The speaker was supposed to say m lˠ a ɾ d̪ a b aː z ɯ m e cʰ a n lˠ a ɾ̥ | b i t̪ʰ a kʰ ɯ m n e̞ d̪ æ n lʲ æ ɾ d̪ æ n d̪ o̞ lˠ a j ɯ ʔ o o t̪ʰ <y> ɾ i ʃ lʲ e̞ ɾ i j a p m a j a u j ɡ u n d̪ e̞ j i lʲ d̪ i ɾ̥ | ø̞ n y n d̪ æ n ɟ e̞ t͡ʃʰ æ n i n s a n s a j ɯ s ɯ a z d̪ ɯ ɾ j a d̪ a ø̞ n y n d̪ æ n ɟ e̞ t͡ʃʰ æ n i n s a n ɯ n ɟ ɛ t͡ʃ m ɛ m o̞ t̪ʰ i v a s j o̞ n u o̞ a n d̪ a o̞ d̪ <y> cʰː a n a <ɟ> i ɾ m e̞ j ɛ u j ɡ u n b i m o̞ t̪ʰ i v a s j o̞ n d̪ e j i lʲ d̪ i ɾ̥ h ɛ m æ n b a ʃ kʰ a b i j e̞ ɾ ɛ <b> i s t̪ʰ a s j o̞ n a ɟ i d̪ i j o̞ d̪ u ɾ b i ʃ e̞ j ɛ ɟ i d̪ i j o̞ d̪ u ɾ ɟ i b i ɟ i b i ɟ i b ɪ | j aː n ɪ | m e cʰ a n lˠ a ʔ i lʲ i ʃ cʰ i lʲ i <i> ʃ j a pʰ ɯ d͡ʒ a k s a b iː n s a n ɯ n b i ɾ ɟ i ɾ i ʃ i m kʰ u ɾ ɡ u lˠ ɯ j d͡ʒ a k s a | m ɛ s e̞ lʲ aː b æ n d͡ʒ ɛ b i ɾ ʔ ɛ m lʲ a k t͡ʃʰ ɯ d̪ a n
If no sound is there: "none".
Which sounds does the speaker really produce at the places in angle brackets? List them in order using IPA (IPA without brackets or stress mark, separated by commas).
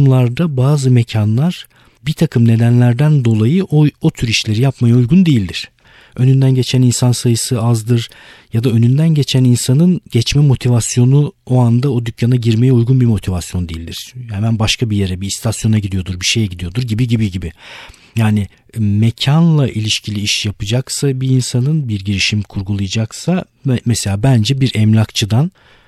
y, y, ɟ, b, i